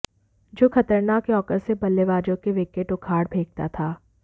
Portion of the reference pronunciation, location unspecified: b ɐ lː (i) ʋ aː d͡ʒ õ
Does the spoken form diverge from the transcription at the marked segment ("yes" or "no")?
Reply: yes